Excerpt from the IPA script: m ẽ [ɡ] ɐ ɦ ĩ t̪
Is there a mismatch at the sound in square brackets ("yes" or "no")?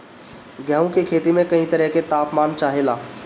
yes